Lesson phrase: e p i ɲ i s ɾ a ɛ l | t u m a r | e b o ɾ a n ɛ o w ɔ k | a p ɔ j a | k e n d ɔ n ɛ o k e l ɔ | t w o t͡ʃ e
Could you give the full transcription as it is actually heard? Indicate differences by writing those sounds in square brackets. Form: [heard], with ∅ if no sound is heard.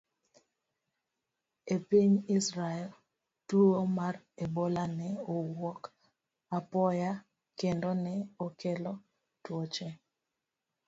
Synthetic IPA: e p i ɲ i s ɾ a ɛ l | t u m a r | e b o [l] a n ɛ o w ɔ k | a p ɔ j a | k e n d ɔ n ɛ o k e l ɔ | t w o t͡ʃ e